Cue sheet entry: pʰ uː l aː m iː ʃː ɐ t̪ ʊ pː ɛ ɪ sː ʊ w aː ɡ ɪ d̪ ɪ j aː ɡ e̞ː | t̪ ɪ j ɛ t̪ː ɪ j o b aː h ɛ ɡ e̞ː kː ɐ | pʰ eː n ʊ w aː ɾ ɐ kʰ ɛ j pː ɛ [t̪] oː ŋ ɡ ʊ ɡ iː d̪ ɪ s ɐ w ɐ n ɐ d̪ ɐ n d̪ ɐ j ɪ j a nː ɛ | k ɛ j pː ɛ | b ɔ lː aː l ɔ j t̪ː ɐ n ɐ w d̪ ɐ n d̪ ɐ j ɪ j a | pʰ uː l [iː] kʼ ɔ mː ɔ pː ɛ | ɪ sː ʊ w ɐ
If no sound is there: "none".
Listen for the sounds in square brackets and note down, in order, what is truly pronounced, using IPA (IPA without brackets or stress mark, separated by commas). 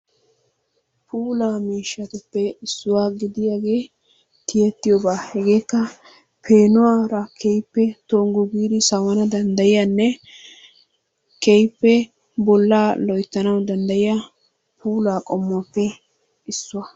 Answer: t̪, aː